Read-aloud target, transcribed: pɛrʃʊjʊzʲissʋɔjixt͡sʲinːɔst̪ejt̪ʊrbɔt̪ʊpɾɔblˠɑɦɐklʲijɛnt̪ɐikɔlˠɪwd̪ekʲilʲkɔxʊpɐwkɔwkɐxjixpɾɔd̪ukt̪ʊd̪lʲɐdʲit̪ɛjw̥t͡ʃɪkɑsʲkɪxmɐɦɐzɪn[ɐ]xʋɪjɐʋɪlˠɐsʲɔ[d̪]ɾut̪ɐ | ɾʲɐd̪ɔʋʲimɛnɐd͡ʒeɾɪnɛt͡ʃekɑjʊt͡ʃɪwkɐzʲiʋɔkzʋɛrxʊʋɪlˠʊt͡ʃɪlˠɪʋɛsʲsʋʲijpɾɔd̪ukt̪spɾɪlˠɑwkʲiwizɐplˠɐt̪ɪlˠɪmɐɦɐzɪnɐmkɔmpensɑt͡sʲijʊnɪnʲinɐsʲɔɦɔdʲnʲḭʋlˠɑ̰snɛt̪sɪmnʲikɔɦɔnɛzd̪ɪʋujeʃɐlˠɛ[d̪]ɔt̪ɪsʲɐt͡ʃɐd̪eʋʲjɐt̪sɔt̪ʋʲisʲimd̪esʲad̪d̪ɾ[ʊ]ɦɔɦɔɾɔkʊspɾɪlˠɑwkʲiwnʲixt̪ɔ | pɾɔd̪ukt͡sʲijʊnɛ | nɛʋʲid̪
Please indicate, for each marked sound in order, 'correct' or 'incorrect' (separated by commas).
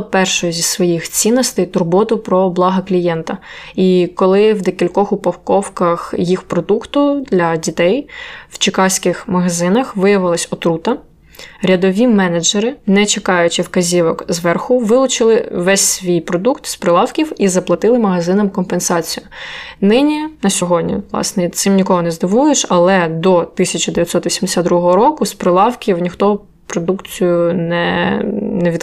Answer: correct, incorrect, correct, incorrect